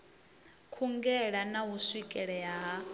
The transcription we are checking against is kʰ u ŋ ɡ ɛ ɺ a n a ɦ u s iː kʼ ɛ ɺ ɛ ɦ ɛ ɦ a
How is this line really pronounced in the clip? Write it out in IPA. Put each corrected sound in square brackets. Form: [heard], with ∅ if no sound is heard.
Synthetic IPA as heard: kʰ u ŋ ɡ ɛ ɺ a n a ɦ u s [i] kʼ ɛ ɺ ɛ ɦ [a] ɦ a